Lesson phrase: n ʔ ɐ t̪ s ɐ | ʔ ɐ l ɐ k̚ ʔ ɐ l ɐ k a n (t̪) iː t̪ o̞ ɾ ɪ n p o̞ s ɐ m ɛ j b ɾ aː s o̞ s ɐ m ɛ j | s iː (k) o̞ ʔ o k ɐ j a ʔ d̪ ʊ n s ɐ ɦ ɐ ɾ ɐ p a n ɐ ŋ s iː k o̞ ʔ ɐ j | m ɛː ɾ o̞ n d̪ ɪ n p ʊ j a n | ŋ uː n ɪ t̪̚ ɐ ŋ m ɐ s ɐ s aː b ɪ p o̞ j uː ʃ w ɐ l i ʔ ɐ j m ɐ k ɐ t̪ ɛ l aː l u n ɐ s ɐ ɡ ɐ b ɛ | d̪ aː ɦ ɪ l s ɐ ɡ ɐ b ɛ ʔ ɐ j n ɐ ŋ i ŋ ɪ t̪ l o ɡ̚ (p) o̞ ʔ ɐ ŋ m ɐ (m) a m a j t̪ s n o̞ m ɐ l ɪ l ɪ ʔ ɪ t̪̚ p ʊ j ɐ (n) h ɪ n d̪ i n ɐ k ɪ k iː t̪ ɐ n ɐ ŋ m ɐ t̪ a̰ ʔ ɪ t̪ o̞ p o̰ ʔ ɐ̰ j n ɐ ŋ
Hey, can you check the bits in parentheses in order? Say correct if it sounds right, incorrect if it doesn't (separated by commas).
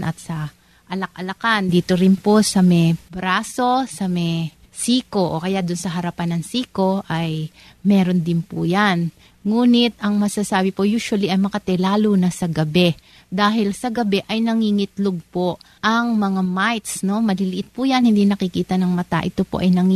incorrect, correct, correct, incorrect, correct